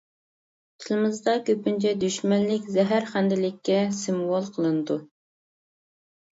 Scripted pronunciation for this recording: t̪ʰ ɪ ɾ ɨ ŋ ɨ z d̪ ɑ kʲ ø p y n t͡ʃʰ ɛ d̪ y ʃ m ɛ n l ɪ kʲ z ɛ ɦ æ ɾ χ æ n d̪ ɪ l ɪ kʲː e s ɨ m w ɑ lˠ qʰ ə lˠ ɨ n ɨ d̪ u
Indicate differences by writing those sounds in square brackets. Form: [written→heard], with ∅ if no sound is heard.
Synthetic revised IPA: t̪ʰ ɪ [ɾ→l] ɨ [ŋ→m] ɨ z d̪ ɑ kʲ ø p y n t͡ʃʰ ɛ d̪ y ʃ m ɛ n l ɪ kʲ z ɛ ɦ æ ɾ χ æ n d̪ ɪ l ɪ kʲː [e→ɛ] s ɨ m w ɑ lˠ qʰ ə lˠ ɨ n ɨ d̪ u